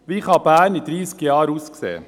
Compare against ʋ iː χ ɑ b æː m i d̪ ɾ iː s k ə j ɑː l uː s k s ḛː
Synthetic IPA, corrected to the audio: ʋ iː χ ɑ b æː n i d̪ ɾ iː s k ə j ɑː ɾ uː s k s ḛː